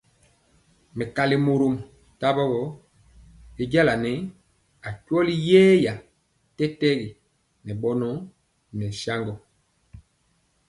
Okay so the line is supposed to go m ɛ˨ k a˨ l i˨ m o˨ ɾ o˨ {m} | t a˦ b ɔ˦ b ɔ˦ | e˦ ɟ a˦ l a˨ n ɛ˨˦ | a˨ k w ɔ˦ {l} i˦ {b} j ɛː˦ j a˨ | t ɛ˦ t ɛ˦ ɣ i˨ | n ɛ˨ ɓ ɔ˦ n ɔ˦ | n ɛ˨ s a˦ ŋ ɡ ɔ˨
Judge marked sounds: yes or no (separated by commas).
yes, yes, no